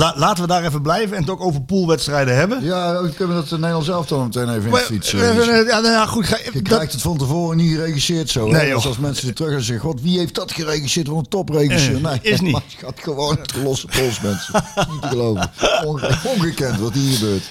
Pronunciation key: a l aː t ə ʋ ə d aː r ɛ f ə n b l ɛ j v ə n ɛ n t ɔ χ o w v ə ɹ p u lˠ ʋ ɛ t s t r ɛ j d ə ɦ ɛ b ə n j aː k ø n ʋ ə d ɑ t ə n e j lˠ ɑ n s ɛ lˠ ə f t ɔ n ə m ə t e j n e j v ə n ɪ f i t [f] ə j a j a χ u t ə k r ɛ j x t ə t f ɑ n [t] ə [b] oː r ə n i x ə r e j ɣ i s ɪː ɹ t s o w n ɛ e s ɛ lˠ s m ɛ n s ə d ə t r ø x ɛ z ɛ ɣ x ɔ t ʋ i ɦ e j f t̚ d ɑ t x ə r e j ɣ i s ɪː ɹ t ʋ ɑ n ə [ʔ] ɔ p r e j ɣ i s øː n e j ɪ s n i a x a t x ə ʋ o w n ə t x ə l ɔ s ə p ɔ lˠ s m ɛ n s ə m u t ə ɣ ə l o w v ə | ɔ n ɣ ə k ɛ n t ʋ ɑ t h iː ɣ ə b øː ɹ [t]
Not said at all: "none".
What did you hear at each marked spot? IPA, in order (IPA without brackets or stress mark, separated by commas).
s, t, v, t, t